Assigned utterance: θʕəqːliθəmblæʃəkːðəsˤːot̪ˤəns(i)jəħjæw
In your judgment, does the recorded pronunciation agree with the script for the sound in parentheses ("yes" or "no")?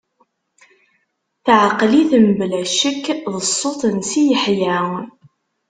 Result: yes